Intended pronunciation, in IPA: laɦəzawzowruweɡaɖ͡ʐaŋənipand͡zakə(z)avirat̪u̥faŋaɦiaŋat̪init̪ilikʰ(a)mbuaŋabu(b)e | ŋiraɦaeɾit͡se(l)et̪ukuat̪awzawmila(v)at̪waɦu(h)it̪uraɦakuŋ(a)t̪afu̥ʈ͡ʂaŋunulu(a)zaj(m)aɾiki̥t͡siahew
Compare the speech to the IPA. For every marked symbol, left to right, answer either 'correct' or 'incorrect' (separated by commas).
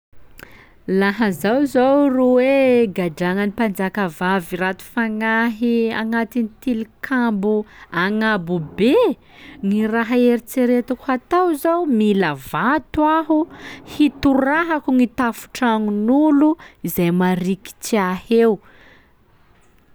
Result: incorrect, correct, correct, incorrect, correct, correct, incorrect, incorrect, correct